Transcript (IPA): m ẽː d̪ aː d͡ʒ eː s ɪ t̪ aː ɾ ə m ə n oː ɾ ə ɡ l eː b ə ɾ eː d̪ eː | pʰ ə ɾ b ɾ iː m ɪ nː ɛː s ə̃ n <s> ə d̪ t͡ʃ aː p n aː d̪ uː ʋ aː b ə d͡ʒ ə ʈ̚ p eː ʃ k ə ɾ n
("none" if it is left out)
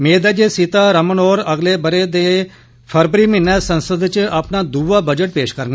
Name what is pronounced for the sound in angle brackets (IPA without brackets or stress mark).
s